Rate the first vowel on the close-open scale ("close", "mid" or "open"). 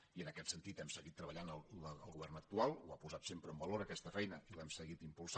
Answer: close